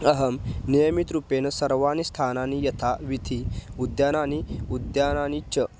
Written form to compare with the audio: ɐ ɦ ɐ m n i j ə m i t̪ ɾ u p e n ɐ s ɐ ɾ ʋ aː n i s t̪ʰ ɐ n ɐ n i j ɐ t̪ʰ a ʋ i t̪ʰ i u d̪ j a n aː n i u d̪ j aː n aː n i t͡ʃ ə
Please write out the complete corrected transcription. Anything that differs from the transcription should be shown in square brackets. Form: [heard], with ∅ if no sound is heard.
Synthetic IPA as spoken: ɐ ɦ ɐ m n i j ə m i t̪ ɾ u p e n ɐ s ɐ ɾ ʋ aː n i s t̪ʰ [a] n [a] n i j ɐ t̪ʰ a ʋ i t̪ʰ i u d̪ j a n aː n i u d̪ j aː n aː n i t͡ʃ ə